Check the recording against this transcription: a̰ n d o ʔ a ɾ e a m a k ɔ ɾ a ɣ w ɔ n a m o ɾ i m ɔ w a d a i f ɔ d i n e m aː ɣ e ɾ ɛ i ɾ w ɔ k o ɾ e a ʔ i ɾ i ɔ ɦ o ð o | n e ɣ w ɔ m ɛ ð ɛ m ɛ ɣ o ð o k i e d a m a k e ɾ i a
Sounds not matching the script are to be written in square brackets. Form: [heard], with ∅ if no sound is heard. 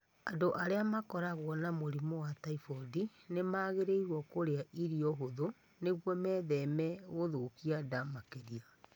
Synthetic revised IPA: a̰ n d o ʔ a ɾ e a m a k ɔ ɾ a ɣ w ɔ n a m o ɾ i m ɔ w a [t] a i f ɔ d i n e m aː ɣ e ɾ [e] i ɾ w ɔ k o ɾ e a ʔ i ɾ i ɔ ɦ o ð o | n e ɣ w ɔ m ɛ ð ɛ m ɛ ɣ o ð o k i [a] d a m a k e ɾ i a